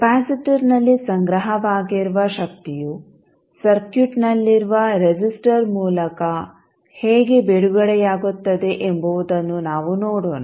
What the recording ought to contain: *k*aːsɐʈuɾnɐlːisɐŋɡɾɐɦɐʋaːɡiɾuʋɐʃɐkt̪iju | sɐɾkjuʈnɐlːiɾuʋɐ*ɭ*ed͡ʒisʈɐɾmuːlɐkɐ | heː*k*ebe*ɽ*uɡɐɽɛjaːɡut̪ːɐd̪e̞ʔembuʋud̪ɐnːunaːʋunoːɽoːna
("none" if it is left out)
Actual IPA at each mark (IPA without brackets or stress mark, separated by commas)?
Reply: p, ɾ, ɡ, ɽ